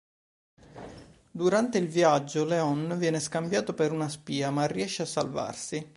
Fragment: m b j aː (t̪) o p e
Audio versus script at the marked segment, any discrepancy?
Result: no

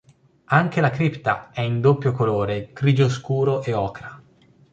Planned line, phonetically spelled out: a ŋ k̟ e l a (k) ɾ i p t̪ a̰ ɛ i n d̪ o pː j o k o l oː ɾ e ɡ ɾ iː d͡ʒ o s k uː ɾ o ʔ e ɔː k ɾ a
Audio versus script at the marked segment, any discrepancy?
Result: no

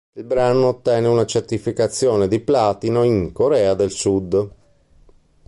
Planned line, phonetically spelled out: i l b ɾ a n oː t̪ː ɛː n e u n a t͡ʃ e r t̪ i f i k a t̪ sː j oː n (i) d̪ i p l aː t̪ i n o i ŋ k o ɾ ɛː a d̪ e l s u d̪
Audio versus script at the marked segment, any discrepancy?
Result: yes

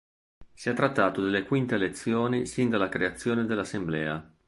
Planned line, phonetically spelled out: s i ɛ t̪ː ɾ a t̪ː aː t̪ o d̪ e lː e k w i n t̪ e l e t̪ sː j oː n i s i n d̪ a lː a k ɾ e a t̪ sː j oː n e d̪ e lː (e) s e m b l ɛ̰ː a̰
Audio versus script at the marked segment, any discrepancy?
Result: yes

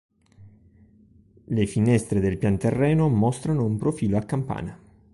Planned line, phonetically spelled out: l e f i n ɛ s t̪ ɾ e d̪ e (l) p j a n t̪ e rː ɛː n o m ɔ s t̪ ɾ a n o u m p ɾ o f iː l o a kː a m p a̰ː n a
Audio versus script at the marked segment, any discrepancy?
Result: no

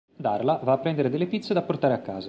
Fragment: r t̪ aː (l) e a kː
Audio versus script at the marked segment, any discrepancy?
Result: yes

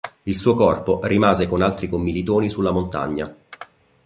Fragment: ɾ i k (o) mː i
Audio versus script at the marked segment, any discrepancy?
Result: no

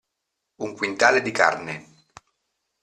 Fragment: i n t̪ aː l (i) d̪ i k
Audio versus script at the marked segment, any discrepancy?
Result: yes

